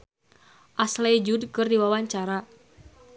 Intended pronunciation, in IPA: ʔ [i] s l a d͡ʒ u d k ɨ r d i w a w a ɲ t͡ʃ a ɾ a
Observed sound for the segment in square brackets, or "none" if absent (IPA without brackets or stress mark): a